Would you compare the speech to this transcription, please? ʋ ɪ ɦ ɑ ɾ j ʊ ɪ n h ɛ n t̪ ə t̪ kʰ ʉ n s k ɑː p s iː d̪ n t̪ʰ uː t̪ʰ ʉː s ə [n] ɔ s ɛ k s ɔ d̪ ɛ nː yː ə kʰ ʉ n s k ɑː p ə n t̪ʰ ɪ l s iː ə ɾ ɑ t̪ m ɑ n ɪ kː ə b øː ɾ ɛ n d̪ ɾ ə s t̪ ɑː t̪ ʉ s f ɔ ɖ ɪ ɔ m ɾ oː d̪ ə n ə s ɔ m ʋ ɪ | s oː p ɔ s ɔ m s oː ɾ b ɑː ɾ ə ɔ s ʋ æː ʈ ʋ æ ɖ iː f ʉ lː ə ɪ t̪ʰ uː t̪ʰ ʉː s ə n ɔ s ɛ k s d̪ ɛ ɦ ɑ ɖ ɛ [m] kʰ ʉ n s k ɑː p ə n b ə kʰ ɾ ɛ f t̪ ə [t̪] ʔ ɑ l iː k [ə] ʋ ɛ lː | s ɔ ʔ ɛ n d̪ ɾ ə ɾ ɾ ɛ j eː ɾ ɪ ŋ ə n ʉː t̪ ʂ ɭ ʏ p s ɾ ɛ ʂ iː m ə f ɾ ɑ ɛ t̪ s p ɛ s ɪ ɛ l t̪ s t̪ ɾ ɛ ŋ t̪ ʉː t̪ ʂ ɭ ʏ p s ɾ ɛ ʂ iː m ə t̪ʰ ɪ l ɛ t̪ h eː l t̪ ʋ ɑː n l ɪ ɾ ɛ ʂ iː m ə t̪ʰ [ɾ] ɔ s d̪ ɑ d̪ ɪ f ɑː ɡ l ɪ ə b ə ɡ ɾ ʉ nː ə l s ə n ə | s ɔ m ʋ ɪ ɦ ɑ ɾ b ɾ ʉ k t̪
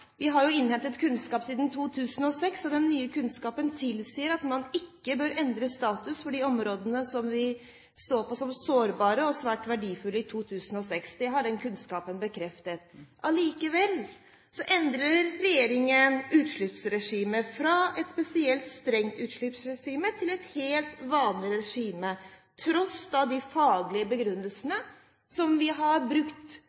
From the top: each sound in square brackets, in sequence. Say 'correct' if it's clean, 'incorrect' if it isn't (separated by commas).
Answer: correct, incorrect, correct, correct, correct